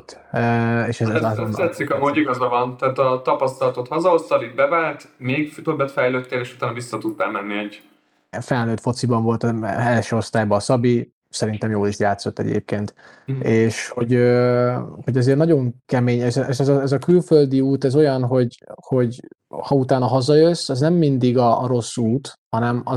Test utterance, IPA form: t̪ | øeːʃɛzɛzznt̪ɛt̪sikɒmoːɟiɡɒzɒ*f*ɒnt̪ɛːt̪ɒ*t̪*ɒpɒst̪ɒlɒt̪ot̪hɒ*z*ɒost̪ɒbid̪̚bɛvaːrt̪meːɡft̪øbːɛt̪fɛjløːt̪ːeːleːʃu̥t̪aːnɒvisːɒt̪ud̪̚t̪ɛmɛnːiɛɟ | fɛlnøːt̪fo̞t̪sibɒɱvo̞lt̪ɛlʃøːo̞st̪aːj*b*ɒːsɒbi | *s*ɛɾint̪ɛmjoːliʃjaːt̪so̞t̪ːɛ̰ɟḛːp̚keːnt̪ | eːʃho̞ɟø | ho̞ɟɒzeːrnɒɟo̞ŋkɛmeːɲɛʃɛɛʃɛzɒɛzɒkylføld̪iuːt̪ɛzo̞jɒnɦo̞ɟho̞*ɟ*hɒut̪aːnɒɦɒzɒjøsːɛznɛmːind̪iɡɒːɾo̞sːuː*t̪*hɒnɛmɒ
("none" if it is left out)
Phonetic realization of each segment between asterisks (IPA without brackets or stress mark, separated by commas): v, t̪, z, b, s, ɟ, t̪